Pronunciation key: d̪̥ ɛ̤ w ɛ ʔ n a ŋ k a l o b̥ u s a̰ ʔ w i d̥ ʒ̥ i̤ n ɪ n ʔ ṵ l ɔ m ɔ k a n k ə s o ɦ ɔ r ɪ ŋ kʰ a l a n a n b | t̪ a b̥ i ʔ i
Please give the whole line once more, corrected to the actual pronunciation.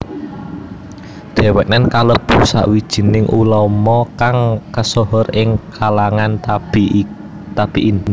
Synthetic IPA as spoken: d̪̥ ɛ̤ w ɛ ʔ n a n k a l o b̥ u s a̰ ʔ w i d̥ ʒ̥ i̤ n ɪ ŋ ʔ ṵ l ɔ m ɔ k a ŋ k ə s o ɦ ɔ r ɪ ŋ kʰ a l a ŋ a n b | t̪ a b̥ i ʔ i

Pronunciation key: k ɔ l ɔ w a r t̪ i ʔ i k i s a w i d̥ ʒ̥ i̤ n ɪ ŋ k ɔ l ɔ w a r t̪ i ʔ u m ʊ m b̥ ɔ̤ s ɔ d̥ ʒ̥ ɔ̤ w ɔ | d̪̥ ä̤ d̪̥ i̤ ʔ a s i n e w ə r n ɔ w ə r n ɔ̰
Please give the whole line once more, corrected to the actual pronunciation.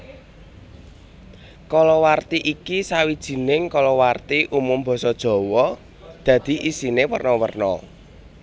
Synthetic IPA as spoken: k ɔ l ɔ w a r t̪ i ʔ i k i s a w i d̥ ʒ̥ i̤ n ɪ ŋ k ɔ l ɔ w a r t̪ i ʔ u m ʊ m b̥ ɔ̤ s ɔ d̥ ʒ̥ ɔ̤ w ɔ | d̪̥ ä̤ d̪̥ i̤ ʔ i s i n e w ə r n ɔ w ə r n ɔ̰

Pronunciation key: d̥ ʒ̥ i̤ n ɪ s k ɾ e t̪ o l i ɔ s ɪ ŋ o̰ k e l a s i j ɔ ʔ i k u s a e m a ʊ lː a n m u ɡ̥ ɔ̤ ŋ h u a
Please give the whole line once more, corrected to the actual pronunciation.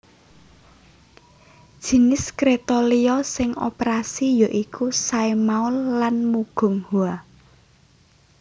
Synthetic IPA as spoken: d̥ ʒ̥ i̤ n ɪ s k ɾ e t̪ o l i ɔ s ɪ ŋ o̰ p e ɾ a s i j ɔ ʔ i k u s a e m a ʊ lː a n m u ɡ̥ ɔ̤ ŋ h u a

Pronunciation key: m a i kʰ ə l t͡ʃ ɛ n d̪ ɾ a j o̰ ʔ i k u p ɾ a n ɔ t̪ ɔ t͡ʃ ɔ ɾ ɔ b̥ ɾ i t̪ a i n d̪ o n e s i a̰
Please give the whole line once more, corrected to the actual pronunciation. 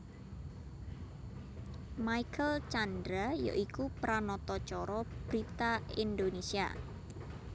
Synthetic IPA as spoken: m a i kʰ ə l t͡ʃ a n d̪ ɾ a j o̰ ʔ i k u p ɾ a n ɔ t̪ ɔ t͡ʃ ɔ ɾ ɔ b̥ ɾ i t̪ a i n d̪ o n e s i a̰

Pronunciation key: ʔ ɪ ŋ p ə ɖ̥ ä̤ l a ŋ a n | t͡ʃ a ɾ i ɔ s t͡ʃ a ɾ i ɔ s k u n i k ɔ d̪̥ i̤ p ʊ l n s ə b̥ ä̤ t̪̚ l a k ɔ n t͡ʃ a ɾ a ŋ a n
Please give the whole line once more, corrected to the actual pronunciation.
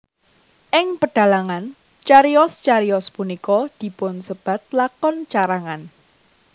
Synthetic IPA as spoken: ʔ ɪ ŋ p ə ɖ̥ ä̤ l a ŋ a n | t͡ʃ a ɾ i ɔ s t͡ʃ a ɾ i ɔ s p u n i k ɔ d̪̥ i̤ p ʊ n s ə b̥ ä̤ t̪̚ l a k ɔ n t͡ʃ a ɾ a ŋ a n

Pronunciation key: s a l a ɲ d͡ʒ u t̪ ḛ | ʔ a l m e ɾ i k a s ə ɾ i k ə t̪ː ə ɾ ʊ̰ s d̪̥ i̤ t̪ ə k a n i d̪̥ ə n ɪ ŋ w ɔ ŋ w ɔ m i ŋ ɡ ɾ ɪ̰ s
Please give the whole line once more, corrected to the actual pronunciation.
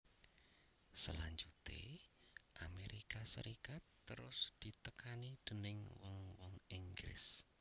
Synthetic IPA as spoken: s ə l a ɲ d͡ʒ u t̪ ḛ | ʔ a m e ɾ i k a s ə ɾ i k a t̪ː ə ɾ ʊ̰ s d̪̥ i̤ t̪ ə k a n i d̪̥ ə n ɪ ŋ w ɔ ŋ w ɔ ŋ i ŋ ɡ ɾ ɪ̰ s

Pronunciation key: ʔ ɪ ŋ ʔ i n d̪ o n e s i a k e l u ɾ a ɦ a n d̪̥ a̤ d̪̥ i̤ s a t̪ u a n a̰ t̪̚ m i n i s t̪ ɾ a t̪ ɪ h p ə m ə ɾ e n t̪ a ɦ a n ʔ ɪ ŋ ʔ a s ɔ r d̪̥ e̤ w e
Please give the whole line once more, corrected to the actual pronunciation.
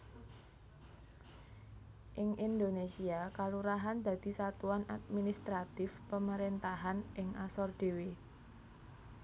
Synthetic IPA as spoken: ʔ ɪ ŋ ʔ i n d̪ o n e s i a k a l u ɾ a ɦ a n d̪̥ a̤ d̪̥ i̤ s a t̪ u a n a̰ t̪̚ m i n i s t̪ ɾ a t̪ ɪ f p ə m ə ɾ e n t̪ a ɦ a n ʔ ɪ ŋ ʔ a s ɔ r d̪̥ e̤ w e

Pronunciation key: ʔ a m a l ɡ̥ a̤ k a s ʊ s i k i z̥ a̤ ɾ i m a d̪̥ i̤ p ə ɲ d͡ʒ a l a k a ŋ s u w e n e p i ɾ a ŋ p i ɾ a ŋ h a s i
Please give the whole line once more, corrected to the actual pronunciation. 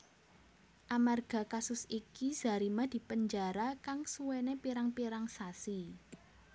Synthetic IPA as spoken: ʔ a m a r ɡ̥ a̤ k a s ʊ s i k i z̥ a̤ ɾ i m a d̪̥ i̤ p ə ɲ d͡ʒ a ɾ a k a ŋ s u w e n e p i ɾ a ŋ p i ɾ a ŋ s a s i

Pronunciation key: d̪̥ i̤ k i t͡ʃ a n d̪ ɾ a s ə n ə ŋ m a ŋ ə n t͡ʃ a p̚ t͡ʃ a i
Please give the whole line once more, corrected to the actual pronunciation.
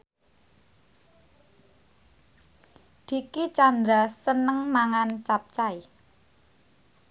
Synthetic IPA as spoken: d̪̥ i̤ k i t͡ʃ a n d̪ ɾ a s ə n ə ŋ m a ŋ a n t͡ʃ a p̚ t͡ʃ a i

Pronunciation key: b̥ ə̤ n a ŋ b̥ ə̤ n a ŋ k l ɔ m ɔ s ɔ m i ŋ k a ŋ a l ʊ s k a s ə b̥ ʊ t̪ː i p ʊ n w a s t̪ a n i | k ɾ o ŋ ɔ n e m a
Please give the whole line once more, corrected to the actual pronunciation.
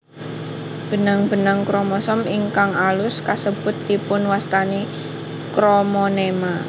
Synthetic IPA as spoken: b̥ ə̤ n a ŋ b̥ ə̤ n a ŋ k ɾ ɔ m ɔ s ɔ m i ŋ k a ŋ a l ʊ s k a s ə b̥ ʊ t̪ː i p ʊ n w a s t̪ a n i | k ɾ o m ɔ n e m a

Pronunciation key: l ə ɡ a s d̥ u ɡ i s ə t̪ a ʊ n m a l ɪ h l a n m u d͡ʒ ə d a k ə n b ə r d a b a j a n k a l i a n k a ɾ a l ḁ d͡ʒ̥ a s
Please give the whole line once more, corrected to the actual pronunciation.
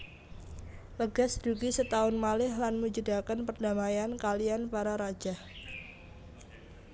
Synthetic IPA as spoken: l ə ɡ a s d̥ u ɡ i s ə t̪ a ʊ n m a l ɪ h l a n m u d͡ʒ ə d a k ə n p ə r d a m a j a n k a l i a n p a ɾ a ɾ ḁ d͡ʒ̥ a h

